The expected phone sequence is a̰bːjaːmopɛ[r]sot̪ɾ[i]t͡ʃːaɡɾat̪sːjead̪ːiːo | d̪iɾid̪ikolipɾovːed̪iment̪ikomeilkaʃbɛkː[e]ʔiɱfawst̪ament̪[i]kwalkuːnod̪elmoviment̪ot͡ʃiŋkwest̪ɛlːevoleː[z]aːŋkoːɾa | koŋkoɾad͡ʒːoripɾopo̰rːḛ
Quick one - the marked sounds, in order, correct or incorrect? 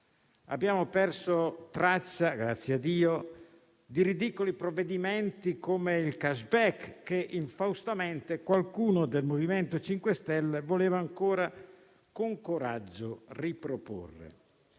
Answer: correct, incorrect, correct, incorrect, incorrect

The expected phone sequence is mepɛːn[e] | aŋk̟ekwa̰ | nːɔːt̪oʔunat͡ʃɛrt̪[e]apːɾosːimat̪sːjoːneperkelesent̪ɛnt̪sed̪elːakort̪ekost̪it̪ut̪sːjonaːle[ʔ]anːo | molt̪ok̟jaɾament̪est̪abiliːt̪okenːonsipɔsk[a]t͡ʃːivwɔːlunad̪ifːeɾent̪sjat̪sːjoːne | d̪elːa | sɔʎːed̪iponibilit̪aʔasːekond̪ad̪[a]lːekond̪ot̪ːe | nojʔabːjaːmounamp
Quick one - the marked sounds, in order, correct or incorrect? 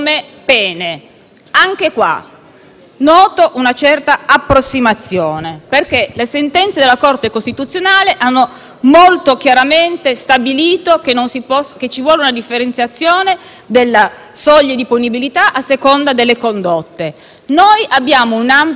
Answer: correct, incorrect, correct, incorrect, incorrect

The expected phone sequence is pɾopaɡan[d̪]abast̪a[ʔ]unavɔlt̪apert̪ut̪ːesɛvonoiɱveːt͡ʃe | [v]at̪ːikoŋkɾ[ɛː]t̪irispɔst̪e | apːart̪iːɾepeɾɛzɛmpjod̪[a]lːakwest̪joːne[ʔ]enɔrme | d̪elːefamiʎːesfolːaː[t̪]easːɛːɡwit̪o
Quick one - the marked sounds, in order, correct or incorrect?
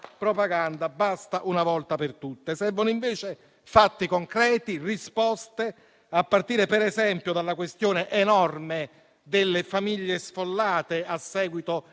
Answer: correct, correct, incorrect, correct, correct, correct, correct

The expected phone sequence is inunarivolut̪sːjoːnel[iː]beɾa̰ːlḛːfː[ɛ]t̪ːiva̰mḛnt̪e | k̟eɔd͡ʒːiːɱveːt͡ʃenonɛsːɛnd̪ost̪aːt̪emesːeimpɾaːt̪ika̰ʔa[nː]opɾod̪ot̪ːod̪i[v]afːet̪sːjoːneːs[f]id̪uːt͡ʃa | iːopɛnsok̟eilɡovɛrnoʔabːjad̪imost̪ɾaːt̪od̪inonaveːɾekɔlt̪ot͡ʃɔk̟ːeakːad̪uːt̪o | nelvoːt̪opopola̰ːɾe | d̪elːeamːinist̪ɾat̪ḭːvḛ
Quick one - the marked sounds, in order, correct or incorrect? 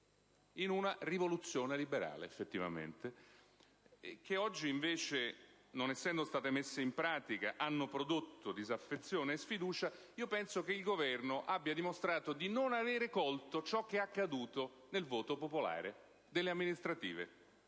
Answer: incorrect, incorrect, correct, incorrect, correct

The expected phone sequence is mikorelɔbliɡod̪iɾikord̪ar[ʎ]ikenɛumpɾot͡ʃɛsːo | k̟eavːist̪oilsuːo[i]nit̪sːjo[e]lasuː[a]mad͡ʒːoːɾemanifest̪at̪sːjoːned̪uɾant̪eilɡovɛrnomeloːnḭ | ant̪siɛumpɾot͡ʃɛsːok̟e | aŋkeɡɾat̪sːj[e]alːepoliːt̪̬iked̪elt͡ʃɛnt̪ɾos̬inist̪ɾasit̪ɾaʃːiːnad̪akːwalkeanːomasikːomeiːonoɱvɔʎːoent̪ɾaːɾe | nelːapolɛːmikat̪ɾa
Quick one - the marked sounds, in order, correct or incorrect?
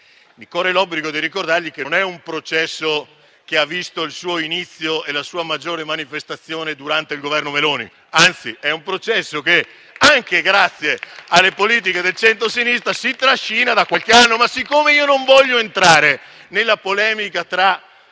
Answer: correct, correct, correct, correct, correct

